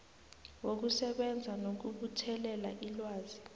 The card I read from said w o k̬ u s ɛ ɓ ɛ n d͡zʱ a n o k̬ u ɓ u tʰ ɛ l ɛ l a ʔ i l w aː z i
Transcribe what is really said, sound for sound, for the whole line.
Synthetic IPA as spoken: w o k̬ u s ɛ ɓ ɛ n d͡zʱ a n o k̬ u ɓ u tʰ ɛ l ɛ l a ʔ i l w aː z i